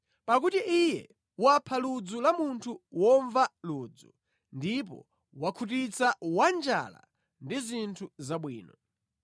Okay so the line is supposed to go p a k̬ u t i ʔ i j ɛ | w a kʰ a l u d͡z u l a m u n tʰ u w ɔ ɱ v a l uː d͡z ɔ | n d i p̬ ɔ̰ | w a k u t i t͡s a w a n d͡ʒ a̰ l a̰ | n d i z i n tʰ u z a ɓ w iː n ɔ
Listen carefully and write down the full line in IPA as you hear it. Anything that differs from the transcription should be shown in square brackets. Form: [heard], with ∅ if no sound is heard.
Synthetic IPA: p a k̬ u t i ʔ i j ɛ | w a [pʰ] a l u d͡z u l a m u n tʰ u w ɔ ɱ v a l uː d͡z [u] | n d i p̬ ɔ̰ | w a [kʰ] u t i t͡s a w a n d͡ʒ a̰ l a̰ | n d i z i n tʰ u z a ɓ w iː n ɔ